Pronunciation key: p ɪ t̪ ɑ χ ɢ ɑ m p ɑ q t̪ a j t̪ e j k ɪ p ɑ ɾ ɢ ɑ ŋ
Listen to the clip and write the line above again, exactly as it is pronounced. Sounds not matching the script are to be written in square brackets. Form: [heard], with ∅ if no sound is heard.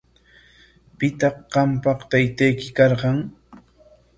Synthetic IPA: p ɪ t̪ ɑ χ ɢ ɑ m p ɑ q t̪ a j t̪ [a] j k ɪ [k] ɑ ɾ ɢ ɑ ŋ

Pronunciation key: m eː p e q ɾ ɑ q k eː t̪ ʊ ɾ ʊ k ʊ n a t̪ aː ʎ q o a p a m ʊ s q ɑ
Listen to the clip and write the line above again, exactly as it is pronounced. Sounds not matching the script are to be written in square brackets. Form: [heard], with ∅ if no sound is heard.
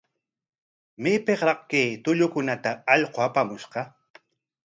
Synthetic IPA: m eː p e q ɾ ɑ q k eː t̪ ʊ [ʎ] ʊ k ʊ n a t̪ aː ʎ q o a p a m ʊ [ʃ] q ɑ

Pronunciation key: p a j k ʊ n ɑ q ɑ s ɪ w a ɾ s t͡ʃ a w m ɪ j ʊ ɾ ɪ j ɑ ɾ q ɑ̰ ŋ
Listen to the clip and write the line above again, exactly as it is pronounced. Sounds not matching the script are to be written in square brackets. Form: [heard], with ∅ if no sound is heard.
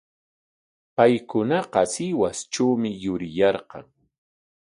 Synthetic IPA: p a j k ʊ n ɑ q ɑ s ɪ w a [∅] s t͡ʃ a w m ɪ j ʊ ɾ ɪ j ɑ ɾ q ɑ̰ ŋ

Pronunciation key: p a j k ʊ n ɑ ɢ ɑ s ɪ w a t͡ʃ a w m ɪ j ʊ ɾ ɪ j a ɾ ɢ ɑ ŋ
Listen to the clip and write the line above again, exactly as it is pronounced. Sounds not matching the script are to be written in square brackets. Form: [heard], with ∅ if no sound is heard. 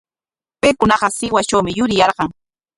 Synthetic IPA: p [e] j k ʊ n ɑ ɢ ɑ s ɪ w a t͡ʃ a w m ɪ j ʊ ɾ ɪ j [ɑ] ɾ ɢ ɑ ŋ

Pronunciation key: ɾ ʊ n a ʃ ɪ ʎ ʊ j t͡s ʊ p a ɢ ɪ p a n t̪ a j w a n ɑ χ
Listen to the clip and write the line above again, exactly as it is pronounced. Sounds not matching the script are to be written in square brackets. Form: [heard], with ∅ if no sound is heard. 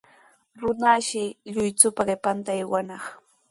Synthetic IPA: ɾ ʊ n a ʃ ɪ ʎ ʊ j t͡s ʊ p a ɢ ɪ p a n t̪ a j w a n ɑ χ

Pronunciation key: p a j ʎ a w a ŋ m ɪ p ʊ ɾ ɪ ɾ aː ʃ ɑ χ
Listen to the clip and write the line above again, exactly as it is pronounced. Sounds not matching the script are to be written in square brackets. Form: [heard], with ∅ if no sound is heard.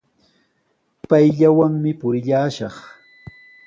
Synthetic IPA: p a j ʎ a w a ŋ m ɪ p ʊ ɾ ɪ [ʎ] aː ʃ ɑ χ

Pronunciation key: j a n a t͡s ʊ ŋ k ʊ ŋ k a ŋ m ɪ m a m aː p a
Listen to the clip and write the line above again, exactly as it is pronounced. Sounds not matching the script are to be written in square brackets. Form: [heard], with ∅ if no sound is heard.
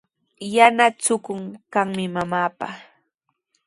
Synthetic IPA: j a n a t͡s ʊ [∅] k ʊ ŋ k a ŋ m ɪ m a m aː p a

